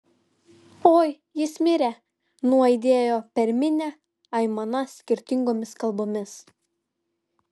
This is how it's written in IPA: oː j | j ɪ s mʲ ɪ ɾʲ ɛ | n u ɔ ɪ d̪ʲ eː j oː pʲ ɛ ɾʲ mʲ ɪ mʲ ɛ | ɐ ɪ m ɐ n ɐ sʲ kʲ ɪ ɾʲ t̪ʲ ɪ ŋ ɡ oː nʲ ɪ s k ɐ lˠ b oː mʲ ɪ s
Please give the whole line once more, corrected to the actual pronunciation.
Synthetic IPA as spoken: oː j | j ɪ s mʲ ɪ ɾʲ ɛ | n u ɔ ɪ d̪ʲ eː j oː pʲ ɛ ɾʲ mʲ ɪ nʲ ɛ | ɐ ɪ m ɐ n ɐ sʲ kʲ ɪ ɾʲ t̪ʲ ɪ ŋ ɡ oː mʲ ɪ s k ɐ lˠ b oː mʲ ɪ s

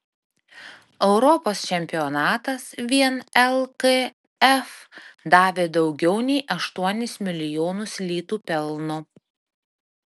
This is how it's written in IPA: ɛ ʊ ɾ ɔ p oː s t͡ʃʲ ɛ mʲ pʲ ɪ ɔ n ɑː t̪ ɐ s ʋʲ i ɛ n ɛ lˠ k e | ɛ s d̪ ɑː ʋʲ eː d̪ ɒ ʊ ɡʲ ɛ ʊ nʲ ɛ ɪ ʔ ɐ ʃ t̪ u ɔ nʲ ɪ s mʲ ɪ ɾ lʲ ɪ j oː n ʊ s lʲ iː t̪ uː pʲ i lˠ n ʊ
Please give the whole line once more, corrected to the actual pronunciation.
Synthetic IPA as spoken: ɛ ʊ ɾ ɔ p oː s t͡ʃʲ ɛ mʲ pʲ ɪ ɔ n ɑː t̪ ɐ s ʋʲ i ɛ n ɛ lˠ k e | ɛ f d̪ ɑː ʋʲ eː d̪ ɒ ʊ ɡʲ ɛ ʊ nʲ ɛ ɪ ʔ ɐ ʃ t̪ u ɔ nʲ ɪ s mʲ ɪ lʲ ɪ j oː n ʊ s lʲ iː t̪ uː pʲ ɛ lˠ n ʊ

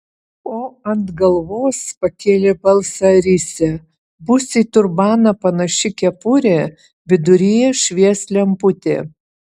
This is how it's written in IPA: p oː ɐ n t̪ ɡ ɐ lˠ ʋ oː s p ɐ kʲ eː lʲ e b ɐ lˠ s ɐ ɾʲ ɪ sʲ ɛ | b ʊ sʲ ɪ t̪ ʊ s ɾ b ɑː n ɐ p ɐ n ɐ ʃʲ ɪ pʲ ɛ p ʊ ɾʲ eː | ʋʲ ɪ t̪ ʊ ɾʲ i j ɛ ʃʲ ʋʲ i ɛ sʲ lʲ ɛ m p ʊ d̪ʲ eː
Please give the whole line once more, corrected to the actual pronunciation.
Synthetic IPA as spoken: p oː ɐ n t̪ ɡ ɐ lˠ ʋ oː s p ɐ kʲ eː lʲ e b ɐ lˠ s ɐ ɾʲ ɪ sʲ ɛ | b ʊ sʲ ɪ t̪ ʊ ɾ b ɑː n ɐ p ɐ n ɐ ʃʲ ɪ kʲ ɛ p ʊ ɾʲ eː | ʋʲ ɪ d̪ ʊ ɾʲ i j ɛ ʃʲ ʋʲ i ɛ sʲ lʲ ɛ m p ʊ t̪ʲ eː

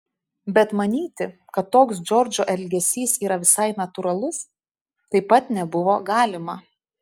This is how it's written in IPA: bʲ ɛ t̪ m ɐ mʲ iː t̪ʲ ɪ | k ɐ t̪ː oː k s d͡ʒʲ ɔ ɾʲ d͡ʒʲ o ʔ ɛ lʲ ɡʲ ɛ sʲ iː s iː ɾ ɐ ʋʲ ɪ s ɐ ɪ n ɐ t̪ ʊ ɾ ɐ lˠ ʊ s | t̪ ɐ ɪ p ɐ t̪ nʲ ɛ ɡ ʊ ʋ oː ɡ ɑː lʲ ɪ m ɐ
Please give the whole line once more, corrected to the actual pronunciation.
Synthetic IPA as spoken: bʲ ɛ t̪ m ɐ nʲ iː t̪ʲ ɪ | k ɐ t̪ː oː k s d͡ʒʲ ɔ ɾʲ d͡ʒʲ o ʔ ɛ lʲ ɡʲ ɛ sʲ iː s iː ɾ ɐ ʋʲ ɪ s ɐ ɪ n ɐ t̪ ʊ ɾ ɐ lˠ ʊ s | t̪ ɐ ɪ p ɐ t̪ nʲ ɛ b ʊ ʋ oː ɡ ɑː lʲ ɪ m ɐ

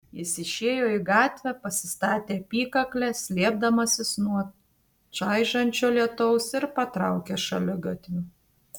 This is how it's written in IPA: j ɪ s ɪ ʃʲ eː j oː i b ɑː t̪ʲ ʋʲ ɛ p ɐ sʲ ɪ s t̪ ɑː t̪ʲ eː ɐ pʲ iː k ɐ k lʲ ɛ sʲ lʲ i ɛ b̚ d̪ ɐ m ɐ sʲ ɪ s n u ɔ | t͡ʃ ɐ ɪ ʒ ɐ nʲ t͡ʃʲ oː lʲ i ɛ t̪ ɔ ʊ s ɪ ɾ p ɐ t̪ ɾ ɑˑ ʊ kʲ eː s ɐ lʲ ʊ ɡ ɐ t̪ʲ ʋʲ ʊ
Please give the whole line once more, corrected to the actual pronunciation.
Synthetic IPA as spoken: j ɪ s ɪ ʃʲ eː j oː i ɡ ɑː t̪ʲ ʋʲ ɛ p ɐ sʲ ɪ s t̪ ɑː t̪ʲ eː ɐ pʲ iː k ɐ k lʲ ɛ sʲ lʲ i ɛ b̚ d̪ ɐ m ɐ sʲ ɪ s n u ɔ | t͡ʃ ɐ ɪ ʒ ɐ nʲ t͡ʃʲ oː lʲ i ɛ t̪ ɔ ʊ s ɪ ɾ p ɐ t̪ ɾ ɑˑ ʊ kʲ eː ʃ ɐ lʲ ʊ ɡ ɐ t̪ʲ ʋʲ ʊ

